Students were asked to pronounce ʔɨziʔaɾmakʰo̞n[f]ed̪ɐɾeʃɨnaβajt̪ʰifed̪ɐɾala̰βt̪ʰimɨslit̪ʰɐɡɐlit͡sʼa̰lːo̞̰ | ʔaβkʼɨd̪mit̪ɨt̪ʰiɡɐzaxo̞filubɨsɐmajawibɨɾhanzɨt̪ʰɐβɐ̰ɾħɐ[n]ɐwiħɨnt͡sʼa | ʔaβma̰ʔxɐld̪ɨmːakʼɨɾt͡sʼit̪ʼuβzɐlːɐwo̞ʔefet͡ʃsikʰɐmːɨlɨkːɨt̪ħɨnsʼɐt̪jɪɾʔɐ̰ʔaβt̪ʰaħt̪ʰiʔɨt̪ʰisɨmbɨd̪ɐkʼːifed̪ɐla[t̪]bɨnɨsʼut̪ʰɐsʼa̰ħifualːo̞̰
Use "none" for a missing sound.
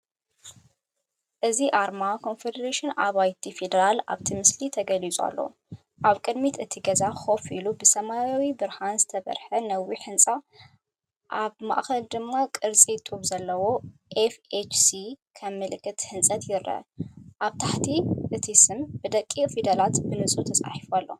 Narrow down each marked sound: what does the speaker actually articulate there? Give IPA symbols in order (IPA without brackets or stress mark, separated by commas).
f, n, t̪